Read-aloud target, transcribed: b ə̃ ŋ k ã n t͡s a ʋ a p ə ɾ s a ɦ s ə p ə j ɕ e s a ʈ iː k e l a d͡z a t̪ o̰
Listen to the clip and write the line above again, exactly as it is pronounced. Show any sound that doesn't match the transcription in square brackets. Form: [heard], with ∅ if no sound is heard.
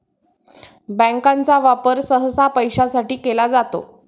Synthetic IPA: b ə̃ ŋ k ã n t͡s a ʋ a p ə ɾ s [ə] ɦ s [a] p ə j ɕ [a] s a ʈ iː k e l a d͡z a t̪ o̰